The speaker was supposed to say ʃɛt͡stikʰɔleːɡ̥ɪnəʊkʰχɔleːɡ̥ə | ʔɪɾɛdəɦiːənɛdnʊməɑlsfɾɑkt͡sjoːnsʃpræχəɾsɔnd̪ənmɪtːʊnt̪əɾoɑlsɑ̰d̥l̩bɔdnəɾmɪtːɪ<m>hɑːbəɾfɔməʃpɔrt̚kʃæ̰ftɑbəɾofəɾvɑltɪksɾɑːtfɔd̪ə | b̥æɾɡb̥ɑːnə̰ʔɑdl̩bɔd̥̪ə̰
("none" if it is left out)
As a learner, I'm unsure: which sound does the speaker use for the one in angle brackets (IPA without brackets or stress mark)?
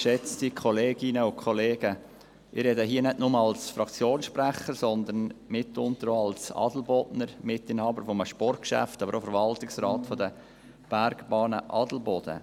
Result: n